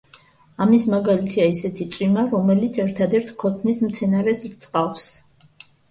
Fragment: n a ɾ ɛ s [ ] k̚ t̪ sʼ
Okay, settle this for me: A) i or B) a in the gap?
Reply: A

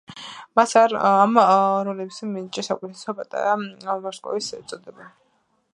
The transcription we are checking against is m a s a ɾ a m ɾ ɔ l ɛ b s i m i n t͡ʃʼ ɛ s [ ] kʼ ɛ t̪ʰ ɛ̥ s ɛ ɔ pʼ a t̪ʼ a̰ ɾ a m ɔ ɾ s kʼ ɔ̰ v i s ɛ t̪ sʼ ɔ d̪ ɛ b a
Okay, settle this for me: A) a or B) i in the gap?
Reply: A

